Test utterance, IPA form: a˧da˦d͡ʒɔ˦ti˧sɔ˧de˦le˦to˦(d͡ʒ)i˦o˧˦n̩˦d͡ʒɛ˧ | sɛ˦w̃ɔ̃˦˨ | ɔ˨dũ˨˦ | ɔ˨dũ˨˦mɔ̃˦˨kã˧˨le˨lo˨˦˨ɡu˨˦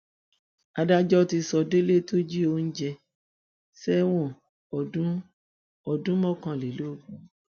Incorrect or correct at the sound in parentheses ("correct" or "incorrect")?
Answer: correct